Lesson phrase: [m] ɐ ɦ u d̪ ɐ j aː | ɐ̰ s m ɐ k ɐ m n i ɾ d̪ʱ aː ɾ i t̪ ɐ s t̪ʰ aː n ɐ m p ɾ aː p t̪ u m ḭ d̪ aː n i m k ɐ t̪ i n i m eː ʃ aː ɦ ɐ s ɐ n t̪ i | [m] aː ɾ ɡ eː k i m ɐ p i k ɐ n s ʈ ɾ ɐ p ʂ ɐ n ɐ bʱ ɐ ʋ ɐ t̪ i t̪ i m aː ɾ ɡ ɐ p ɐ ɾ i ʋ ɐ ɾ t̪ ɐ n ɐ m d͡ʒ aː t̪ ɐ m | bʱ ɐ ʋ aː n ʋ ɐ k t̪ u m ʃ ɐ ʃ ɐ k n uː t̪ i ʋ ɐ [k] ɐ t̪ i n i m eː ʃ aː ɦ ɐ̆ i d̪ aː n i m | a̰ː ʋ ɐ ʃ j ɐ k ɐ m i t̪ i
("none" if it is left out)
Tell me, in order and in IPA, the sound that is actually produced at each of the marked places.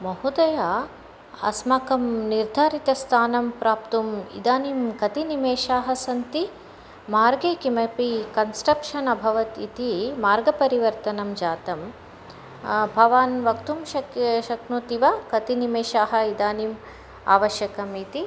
m, m, k

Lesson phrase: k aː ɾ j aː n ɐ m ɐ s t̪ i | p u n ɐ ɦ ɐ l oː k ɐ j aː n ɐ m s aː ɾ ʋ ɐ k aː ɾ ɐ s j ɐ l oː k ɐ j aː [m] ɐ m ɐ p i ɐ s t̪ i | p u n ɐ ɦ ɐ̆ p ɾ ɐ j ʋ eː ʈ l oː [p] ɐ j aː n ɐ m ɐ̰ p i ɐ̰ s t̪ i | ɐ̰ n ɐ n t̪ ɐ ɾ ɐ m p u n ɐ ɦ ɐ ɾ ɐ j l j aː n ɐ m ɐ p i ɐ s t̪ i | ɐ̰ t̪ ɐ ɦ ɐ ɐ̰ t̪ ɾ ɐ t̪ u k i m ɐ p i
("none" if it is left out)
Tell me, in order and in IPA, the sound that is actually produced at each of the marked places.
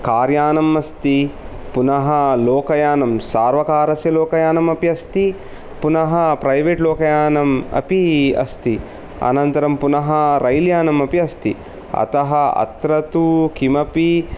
n, k

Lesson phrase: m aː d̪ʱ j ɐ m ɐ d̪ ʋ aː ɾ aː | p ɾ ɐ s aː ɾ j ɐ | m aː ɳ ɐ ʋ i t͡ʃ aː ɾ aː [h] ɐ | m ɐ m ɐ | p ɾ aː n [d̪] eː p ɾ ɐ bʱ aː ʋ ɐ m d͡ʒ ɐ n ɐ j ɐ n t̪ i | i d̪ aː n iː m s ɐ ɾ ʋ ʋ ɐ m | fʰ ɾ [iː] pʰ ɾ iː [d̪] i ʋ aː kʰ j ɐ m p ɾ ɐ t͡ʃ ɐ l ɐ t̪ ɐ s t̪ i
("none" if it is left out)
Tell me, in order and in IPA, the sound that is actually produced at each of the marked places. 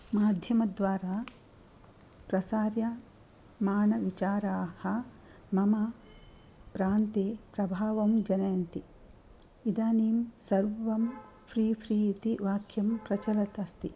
h, t̪, iː, t̪

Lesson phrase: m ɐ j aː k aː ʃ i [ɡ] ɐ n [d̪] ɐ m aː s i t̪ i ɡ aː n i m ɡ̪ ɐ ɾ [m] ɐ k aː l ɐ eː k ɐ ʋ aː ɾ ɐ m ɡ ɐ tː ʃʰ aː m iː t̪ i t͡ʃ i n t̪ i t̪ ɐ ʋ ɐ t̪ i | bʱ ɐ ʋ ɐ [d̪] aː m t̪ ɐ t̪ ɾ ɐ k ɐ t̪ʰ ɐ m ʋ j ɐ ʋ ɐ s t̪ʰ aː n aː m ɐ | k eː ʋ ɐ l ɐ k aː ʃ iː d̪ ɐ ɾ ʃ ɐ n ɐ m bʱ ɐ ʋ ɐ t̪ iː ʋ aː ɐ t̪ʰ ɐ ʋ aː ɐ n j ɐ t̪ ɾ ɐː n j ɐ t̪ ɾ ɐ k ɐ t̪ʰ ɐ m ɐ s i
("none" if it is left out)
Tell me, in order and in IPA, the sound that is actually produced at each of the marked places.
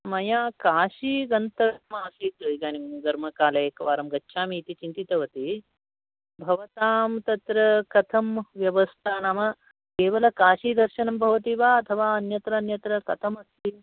ɡ, t̪, m, t̪

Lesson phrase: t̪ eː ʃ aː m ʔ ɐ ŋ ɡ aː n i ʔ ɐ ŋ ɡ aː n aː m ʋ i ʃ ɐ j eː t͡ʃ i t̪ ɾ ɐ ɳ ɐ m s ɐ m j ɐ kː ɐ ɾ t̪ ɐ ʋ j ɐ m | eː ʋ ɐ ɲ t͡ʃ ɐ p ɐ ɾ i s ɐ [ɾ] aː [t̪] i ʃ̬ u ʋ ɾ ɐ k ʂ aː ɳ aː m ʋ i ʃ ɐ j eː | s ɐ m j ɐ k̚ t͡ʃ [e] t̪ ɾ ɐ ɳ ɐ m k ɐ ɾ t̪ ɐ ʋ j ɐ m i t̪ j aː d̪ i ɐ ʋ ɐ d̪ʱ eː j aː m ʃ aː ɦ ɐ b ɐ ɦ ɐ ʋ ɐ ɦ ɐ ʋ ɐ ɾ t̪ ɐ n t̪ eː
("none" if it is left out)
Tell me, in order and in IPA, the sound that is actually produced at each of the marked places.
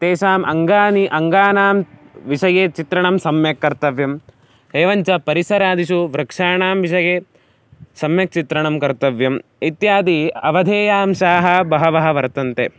ɾ, d̪, i

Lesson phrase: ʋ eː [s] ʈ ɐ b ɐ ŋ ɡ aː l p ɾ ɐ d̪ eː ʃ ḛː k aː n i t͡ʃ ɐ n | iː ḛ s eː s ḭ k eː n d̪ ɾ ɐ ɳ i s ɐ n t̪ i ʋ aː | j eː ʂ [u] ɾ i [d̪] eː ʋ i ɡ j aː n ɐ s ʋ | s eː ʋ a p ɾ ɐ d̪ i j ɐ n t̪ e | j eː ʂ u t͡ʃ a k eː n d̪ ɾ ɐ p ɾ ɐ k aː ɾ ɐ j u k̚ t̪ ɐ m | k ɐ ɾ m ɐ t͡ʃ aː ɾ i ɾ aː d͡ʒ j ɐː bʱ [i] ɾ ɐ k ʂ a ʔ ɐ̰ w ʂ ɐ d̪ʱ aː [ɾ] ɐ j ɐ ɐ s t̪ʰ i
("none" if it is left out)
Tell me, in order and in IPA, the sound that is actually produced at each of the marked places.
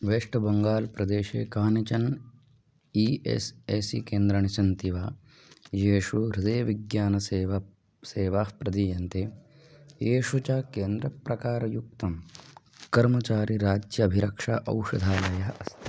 ʂ, u, d̪, i, l

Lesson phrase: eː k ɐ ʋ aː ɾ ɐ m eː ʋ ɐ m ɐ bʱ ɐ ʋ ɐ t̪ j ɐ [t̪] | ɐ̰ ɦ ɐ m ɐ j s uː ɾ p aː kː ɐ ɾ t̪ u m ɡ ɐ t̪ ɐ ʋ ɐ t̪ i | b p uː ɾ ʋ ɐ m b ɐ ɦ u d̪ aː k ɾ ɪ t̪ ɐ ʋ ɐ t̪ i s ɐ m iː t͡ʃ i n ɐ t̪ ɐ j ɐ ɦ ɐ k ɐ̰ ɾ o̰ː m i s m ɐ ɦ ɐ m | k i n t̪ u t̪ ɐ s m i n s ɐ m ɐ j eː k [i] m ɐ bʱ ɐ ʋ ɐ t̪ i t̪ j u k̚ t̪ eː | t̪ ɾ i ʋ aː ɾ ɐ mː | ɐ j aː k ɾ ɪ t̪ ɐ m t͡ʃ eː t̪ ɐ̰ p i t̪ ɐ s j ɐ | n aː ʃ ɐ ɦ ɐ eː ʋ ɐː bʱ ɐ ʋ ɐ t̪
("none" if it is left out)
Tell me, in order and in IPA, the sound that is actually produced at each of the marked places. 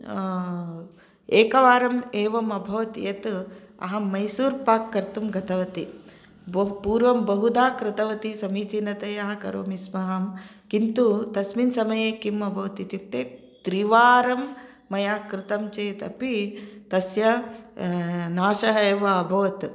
t̪, i

